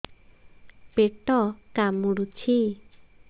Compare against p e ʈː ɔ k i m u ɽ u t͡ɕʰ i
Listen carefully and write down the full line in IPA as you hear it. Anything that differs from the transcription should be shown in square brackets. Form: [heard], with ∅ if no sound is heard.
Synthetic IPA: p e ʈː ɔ k [a] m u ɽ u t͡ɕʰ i